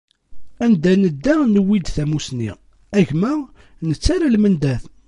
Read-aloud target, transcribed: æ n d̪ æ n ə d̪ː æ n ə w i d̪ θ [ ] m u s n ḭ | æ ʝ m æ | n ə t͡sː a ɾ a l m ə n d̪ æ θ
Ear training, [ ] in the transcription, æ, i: æ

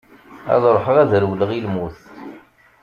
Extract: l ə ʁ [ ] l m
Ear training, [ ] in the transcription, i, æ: i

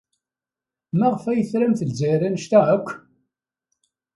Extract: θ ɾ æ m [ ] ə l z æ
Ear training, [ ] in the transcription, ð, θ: θ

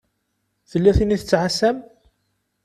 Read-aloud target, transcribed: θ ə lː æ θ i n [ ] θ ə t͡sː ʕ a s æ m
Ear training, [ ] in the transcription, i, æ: i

